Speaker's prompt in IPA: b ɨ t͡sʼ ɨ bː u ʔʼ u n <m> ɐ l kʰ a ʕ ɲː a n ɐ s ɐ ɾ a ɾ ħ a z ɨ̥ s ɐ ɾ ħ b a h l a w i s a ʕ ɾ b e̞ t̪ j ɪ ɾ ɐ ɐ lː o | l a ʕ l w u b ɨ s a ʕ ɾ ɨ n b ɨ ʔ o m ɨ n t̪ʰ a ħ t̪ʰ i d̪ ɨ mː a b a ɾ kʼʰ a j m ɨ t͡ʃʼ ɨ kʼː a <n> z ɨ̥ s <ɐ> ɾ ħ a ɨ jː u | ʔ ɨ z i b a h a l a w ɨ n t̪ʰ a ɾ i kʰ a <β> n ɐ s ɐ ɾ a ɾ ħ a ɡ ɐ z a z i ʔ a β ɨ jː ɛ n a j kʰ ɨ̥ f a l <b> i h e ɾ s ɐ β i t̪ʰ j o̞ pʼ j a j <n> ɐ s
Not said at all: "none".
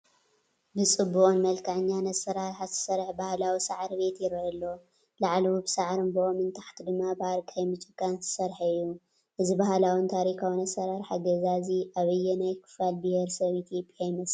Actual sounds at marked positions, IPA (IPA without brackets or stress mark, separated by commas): m, n, ɐ, w, b, m